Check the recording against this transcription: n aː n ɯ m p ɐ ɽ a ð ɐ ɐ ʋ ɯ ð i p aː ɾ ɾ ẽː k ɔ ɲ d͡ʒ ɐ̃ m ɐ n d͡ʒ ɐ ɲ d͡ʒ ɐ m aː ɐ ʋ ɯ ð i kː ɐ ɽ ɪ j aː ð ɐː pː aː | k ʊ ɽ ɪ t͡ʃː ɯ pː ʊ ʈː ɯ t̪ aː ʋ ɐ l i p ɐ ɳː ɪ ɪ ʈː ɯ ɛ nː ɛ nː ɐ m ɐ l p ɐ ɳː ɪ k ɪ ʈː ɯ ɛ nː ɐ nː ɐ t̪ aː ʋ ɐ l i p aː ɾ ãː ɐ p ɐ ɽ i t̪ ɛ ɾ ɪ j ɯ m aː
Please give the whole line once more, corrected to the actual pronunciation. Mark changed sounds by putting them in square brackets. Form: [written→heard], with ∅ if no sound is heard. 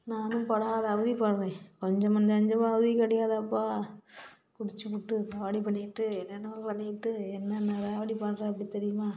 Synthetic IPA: n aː n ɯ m p ɐ ɽ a ð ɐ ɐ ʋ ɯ ð i p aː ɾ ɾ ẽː k ɔ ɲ d͡ʒ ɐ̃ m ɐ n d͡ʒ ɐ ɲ d͡ʒ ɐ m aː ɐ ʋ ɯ ð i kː ɐ ɽ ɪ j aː ð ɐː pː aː | k ʊ ɽ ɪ t͡ʃː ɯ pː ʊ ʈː ɯ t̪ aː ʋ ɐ [l→ɽ] i p ɐ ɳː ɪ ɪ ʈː ɯ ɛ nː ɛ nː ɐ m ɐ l p ɐ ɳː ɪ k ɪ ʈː ɯ ɛ nː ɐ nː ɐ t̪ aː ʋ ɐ [l→ɽ] i p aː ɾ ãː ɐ p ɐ ɽ i t̪ ɛ ɾ ɪ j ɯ m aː